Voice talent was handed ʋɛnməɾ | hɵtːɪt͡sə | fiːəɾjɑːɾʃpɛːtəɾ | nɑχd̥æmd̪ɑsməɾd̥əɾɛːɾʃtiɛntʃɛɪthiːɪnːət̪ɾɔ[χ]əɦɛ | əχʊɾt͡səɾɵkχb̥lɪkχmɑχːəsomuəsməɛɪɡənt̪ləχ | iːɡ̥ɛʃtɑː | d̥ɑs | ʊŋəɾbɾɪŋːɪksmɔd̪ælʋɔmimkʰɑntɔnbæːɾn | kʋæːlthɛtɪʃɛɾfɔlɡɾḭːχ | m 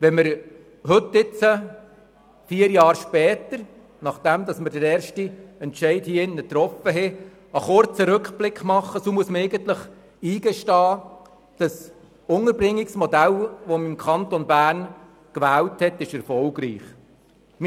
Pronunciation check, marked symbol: incorrect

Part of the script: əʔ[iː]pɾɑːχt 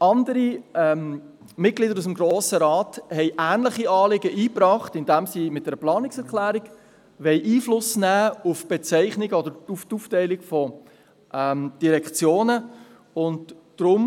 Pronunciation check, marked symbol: correct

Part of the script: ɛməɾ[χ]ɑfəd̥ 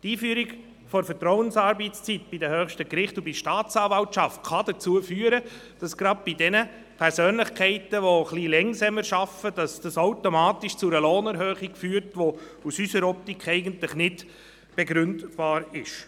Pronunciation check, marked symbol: incorrect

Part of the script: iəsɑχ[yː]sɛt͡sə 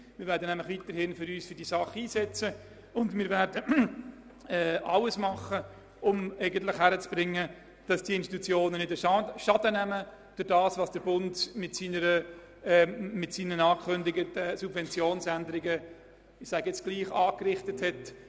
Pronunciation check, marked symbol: incorrect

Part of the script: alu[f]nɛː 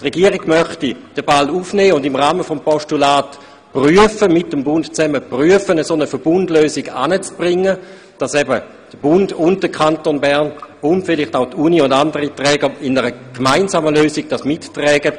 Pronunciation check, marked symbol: correct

